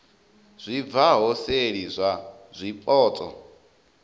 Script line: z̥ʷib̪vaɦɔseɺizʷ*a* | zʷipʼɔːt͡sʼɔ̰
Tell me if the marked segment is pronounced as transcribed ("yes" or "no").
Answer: yes